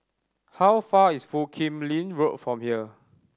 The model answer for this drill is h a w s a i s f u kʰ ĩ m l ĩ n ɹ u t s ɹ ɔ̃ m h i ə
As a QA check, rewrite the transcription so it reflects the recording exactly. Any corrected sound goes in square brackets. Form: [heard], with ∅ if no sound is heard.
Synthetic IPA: h a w [f] a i s f u kʰ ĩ m l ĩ n ɹ [o] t [f] ɹ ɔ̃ m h i ə